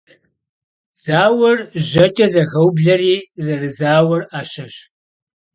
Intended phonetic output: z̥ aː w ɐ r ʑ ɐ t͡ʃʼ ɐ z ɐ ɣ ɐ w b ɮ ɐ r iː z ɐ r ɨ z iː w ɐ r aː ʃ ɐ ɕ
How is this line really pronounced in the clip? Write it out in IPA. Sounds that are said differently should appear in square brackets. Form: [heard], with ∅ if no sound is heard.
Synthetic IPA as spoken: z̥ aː w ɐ r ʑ ɐ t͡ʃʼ ɐ z ɐ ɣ ɐ w b ɮ ɐ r iː z ɐ r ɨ z [aː] w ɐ r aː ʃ ɐ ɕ